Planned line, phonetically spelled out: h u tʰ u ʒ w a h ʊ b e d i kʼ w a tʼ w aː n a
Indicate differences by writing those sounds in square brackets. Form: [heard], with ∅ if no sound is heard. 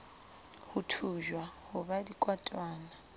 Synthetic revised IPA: h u tʰ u ʒ w a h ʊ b [a] d i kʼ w a tʼ w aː n a